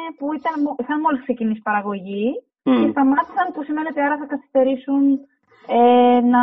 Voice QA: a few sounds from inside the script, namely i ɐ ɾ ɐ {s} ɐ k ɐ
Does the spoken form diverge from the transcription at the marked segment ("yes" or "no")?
yes